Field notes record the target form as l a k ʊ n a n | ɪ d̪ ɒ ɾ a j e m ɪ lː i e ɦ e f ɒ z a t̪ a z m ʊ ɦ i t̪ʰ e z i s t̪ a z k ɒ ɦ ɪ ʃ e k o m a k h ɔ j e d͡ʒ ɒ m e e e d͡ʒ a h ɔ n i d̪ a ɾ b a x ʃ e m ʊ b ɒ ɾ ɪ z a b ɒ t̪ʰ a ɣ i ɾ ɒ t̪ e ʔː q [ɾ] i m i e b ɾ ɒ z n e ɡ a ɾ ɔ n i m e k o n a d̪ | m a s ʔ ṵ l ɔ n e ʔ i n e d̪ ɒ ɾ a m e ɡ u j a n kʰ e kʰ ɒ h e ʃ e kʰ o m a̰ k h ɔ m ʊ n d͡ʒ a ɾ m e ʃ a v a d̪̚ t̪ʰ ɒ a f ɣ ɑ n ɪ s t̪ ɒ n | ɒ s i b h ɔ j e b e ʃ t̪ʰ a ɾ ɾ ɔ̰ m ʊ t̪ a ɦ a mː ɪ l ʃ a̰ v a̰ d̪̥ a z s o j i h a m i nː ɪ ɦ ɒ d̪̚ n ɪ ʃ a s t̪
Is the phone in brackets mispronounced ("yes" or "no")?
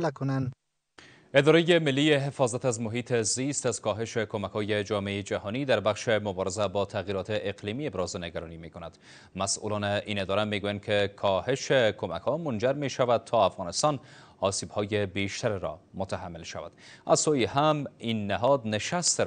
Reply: yes